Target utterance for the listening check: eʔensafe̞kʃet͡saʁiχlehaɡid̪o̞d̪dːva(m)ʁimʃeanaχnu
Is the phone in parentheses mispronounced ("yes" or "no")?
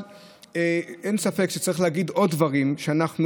yes